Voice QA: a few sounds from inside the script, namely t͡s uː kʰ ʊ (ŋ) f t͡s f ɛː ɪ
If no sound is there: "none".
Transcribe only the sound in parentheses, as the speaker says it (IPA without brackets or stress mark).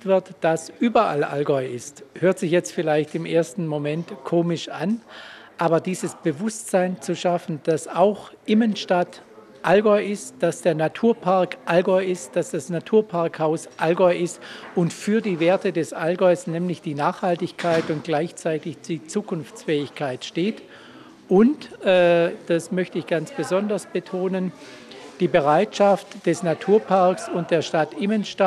n